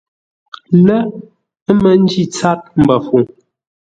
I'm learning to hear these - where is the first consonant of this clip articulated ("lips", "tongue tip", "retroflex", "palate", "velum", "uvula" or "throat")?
tongue tip